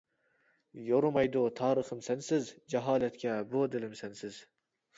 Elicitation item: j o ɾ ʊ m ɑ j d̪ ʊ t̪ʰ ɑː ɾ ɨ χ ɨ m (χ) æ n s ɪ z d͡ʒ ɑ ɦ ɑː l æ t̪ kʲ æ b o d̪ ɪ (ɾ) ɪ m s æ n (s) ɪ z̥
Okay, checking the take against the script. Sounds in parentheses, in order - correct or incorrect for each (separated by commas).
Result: incorrect, incorrect, correct